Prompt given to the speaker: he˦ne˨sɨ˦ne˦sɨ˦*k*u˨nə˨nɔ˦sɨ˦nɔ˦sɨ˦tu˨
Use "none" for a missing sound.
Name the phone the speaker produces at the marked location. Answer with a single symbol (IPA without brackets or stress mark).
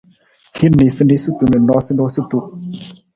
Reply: t